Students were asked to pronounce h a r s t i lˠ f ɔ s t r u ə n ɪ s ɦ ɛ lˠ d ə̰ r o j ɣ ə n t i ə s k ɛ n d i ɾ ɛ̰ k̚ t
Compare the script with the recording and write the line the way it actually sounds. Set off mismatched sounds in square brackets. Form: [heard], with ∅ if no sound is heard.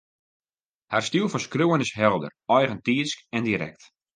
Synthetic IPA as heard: h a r s t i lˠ f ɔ s [k] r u ə n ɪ s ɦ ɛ lˠ d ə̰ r [ɔ] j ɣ ə n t i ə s k ɛ n d i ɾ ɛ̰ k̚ t